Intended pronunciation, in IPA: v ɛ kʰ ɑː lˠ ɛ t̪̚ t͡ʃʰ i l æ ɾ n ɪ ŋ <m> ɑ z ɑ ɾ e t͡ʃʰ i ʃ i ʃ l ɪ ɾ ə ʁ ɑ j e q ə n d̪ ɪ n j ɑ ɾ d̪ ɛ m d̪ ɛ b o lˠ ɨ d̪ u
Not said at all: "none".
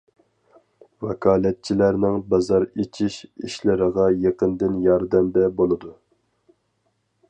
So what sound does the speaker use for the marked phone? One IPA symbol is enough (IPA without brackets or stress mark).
b